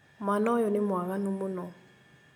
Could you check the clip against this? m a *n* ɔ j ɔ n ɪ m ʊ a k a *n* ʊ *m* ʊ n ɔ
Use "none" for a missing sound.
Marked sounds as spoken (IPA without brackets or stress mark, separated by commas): n, n, m